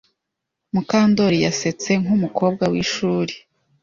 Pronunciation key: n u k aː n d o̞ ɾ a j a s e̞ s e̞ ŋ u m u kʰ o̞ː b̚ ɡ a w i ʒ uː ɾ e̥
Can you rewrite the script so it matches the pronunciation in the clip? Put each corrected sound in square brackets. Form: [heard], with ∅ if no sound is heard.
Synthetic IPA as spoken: [m] u k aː n d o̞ ɾ [i] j a s e̞ [t͡s] e̞ ŋ u m u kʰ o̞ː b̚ ɡ a w i [ʃ] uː ɾ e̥